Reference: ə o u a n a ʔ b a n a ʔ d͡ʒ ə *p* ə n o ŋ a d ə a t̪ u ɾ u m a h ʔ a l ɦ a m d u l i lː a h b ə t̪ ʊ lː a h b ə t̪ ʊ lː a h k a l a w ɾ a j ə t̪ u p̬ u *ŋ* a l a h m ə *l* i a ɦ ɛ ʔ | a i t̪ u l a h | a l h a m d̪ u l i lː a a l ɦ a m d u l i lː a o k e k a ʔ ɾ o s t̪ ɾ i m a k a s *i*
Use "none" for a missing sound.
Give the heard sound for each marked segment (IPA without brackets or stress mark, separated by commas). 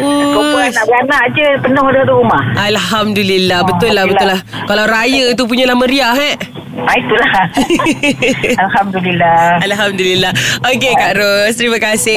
p, ɲ, ɾ, ɪ